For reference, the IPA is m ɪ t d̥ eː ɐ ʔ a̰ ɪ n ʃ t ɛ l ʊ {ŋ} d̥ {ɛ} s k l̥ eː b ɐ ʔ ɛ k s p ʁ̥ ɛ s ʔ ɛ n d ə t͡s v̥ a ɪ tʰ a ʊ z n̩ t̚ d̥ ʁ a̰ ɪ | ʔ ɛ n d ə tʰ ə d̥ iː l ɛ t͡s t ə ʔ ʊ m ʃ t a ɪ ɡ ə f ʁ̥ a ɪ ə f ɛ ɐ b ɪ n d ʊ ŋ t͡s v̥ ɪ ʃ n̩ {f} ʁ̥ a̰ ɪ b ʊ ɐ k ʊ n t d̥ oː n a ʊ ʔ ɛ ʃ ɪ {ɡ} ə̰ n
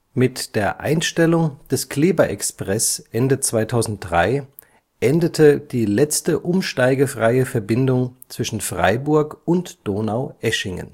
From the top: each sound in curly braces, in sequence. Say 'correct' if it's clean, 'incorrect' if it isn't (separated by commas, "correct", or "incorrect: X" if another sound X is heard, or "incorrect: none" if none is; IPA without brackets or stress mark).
correct, correct, correct, incorrect: ŋ